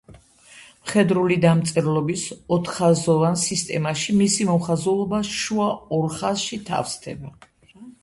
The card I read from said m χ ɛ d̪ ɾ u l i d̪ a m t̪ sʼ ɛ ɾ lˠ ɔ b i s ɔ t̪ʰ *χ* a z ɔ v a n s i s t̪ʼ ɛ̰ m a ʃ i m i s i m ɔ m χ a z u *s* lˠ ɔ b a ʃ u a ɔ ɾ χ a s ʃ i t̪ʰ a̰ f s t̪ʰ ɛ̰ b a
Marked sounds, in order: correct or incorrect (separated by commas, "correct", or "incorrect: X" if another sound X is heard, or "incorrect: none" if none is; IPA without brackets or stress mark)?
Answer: correct, incorrect: none